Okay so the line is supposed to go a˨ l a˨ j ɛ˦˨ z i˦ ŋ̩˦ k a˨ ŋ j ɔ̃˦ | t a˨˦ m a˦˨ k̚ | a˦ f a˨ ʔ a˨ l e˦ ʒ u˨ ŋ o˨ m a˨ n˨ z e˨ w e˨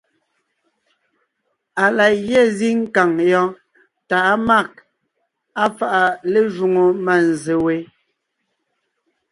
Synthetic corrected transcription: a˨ l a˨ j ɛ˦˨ z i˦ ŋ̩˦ k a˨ ŋ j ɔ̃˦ | t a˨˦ m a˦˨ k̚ | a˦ f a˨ ʔ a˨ l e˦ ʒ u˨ ŋ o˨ m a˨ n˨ z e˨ w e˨